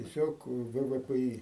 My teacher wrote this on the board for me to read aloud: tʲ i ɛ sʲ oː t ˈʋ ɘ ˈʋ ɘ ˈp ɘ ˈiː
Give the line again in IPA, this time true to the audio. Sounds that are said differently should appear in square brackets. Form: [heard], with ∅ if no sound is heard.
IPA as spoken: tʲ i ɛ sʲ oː [k] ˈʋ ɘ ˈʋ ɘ ˈp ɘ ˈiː